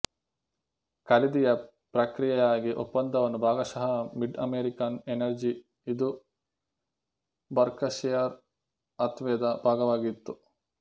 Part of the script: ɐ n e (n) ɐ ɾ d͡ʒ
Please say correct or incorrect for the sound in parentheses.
correct